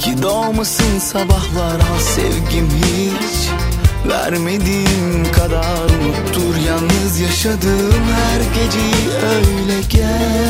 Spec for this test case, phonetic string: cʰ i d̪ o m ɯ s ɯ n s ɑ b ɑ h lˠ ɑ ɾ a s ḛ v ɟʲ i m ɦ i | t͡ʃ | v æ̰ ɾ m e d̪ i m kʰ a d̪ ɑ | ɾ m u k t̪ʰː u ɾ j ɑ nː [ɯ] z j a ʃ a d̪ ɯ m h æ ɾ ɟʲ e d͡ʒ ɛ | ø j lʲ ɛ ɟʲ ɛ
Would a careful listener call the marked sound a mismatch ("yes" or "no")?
no